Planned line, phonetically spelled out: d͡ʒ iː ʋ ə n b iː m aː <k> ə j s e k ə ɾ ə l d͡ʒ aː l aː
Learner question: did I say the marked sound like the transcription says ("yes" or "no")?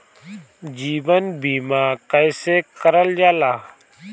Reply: yes